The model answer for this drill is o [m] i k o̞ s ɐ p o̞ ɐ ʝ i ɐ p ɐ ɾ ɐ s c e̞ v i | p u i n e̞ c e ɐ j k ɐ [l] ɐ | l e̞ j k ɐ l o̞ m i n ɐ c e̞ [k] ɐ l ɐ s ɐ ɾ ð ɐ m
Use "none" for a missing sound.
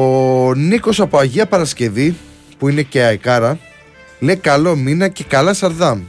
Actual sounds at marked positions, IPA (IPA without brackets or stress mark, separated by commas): n, ɾ, k